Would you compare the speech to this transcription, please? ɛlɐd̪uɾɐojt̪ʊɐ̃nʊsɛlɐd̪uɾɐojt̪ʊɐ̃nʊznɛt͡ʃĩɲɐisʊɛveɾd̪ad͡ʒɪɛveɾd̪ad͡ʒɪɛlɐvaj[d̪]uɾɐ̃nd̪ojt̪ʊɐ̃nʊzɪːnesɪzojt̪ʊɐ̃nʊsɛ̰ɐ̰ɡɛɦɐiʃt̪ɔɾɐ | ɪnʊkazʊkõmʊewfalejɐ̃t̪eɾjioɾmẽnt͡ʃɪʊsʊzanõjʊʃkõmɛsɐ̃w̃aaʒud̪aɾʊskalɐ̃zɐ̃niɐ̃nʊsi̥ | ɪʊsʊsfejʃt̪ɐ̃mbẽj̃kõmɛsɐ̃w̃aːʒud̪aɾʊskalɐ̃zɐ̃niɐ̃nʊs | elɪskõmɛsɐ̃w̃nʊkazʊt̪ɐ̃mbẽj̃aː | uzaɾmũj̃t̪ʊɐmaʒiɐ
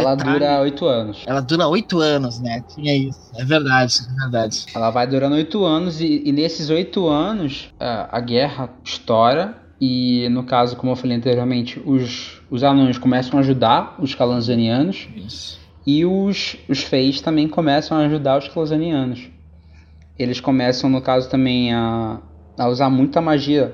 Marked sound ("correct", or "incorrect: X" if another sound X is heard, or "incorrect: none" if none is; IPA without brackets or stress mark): correct